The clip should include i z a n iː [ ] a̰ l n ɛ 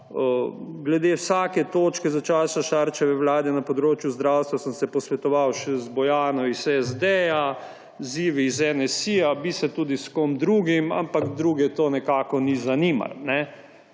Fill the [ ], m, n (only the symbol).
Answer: m